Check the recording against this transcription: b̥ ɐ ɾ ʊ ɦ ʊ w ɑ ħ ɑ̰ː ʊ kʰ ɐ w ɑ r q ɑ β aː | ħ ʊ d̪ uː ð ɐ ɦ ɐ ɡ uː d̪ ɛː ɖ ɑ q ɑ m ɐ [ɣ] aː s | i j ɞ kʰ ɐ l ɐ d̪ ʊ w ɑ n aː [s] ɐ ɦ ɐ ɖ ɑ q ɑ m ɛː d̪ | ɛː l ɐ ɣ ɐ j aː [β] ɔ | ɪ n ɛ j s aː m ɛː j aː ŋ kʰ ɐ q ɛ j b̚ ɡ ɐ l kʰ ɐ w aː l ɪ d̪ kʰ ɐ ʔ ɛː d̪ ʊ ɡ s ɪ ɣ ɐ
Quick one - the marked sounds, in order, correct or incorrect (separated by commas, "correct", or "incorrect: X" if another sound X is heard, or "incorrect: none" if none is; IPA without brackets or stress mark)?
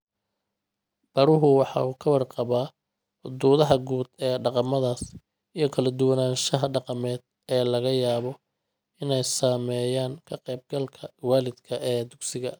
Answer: incorrect: ð, incorrect: ʃ, correct